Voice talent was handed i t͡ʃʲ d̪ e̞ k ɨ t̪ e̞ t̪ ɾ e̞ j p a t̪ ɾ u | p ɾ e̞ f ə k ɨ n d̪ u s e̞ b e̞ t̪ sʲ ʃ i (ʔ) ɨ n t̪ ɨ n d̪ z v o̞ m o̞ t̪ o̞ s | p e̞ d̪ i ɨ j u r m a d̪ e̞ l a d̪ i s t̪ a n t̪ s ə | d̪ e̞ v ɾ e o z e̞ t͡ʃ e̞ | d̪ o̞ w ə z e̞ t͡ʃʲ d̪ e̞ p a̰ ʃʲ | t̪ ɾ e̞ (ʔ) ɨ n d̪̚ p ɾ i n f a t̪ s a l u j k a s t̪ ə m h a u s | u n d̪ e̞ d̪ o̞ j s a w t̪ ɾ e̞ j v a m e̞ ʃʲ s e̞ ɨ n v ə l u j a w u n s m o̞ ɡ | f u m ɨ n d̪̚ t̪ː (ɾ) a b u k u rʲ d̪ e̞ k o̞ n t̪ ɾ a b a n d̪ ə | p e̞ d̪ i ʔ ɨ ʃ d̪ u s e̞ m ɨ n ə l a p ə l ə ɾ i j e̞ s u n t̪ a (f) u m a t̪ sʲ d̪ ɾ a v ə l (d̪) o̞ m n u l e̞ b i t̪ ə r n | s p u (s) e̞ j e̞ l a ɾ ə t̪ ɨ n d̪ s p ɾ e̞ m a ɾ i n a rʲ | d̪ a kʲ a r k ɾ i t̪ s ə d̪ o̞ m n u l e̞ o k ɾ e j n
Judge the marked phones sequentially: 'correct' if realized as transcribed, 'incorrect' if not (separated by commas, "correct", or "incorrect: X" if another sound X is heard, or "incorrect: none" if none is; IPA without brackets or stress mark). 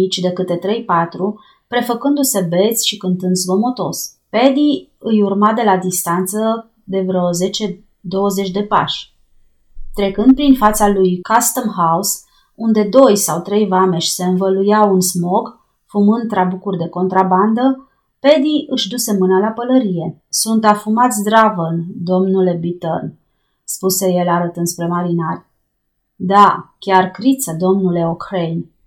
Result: incorrect: k, incorrect: k, correct, correct, correct, correct